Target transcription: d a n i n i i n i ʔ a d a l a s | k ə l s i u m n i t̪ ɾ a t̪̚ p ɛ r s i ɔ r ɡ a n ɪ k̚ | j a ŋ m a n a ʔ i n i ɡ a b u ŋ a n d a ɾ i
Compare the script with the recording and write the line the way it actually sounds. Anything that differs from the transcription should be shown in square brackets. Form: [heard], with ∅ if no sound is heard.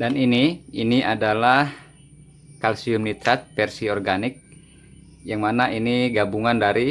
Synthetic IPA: d a n i n i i n i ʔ a d a l a [h] | k [a] l s i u m n i t̪ ɾ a t̪̚ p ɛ r s i ɔ r ɡ a n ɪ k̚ | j a ŋ m a n a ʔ i n i ɡ a b u ŋ a n d a ɾ i

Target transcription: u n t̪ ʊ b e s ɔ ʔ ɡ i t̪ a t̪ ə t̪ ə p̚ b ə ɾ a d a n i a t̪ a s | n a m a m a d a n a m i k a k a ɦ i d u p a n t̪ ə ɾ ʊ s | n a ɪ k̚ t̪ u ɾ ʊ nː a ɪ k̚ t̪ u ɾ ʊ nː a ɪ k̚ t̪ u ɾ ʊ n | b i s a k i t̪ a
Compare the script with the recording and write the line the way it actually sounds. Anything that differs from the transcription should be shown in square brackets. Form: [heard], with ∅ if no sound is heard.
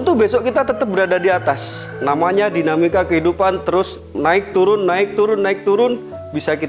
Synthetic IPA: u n t̪ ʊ b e s ɔ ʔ [k] i t̪ a t̪ ə t̪ ə p̚ b ə ɾ a d a [d] i a t̪ a s | n a m a [ɲ] a d [i] n a m i k a k [ə] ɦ i d u p a n t̪ ə ɾ ʊ s | n a ɪ k̚ t̪ u ɾ ʊ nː a ɪ k̚ t̪ u ɾ ʊ nː a ɪ k̚ t̪ u ɾ ʊ n | b i s a k i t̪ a

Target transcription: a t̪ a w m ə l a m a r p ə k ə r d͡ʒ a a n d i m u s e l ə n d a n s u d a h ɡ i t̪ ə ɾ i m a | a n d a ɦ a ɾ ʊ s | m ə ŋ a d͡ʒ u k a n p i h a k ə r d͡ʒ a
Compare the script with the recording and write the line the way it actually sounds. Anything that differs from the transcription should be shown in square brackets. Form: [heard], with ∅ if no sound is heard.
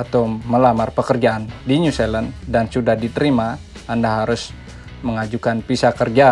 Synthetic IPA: a t̪ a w m ə l a m a r p ə k ə r d͡ʒ a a n d i [ɲ] u s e l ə n d a n s u d a h [d] i t̪ ə ɾ i m a | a n d a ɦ a ɾ ʊ s | m ə ŋ a d͡ʒ u k a n p i [s] a k ə r d͡ʒ a

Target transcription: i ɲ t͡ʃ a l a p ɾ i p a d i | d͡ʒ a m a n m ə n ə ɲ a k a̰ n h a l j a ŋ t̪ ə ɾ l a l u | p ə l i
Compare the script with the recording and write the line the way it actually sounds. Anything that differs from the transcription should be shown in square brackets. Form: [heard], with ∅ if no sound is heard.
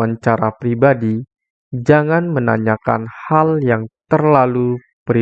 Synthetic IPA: [a] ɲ t͡ʃ a [ɾ] a p ɾ i [b] a d i | d͡ʒ a [ŋ] a n m ə n [a] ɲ a k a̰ n h a l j a ŋ t̪ ə [r] l a l u | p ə [ɾ] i

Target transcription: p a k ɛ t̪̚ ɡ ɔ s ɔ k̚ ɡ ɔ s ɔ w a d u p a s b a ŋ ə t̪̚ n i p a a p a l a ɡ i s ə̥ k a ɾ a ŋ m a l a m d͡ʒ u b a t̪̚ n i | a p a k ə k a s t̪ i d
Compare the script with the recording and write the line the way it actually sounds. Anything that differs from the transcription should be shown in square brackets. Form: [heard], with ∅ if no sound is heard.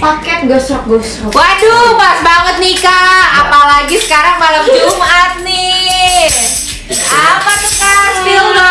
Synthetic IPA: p a k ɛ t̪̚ ɡ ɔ s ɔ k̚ ɡ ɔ s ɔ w a d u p a s b a ŋ ə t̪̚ n i [k] a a p a l a ɡ i s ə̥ k a ɾ a ŋ m a l a m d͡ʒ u [m] a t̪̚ n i | a p a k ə k a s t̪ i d

